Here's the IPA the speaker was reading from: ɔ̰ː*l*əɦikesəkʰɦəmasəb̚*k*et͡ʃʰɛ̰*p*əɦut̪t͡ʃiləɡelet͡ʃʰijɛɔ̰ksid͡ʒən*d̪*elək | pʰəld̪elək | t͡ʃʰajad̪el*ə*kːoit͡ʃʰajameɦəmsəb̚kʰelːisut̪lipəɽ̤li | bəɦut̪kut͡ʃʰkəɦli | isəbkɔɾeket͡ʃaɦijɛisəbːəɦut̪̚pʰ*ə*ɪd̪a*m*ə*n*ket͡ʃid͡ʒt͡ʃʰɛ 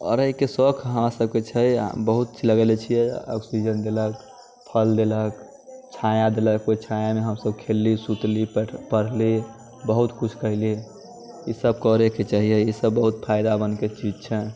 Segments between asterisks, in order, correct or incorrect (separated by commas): incorrect, correct, incorrect, correct, correct, incorrect, incorrect, correct